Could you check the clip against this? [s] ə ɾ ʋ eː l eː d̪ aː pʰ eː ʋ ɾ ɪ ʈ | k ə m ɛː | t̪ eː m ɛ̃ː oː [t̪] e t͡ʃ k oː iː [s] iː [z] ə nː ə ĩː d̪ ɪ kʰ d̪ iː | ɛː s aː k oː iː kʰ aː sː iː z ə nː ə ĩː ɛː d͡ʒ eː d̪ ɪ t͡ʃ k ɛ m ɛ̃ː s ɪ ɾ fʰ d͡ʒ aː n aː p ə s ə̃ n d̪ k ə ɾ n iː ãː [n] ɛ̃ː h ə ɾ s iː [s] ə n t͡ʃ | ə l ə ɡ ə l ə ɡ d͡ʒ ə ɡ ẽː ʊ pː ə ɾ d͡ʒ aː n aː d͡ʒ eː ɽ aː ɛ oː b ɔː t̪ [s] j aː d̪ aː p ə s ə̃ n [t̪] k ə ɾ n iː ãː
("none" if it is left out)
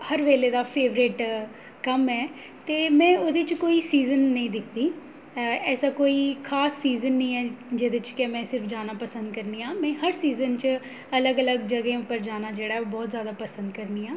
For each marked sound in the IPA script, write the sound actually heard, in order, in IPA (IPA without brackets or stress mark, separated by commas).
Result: h, d̪, s, z, m, z, z, d̪